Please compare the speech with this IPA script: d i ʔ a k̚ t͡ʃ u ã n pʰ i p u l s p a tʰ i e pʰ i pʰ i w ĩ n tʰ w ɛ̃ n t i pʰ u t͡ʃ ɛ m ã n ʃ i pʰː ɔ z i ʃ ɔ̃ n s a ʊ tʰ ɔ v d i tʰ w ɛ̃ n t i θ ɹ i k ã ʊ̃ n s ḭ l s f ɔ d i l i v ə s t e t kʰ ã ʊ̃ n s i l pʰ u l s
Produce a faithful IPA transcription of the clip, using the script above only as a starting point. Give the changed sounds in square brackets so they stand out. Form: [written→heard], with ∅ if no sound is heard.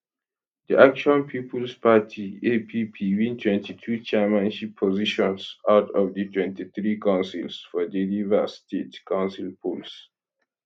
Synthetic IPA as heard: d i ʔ a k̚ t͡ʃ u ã n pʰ i p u l s p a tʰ i e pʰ i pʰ i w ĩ n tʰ w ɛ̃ n t i [pʰ→tʰ] u t͡ʃ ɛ m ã n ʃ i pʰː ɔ z i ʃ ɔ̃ n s a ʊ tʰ ɔ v d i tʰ w ɛ̃ n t i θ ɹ i k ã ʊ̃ n s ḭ l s f ɔ d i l i v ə s t e t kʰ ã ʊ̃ n s i l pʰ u l s